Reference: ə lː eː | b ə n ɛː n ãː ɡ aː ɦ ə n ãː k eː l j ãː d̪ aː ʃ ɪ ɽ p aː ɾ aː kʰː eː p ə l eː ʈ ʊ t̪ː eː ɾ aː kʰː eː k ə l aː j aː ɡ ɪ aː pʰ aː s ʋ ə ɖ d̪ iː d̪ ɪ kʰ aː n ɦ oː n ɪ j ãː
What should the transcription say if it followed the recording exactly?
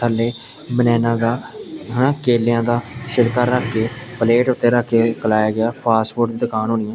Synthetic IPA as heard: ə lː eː | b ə n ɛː n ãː ɡ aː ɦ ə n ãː k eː l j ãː d̪ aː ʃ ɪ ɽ k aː ɾ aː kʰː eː p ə l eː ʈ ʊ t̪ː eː ɾ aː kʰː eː k ə l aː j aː ɡ ɪ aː pʰ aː s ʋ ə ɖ d̪ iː d̪ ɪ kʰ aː n ɦ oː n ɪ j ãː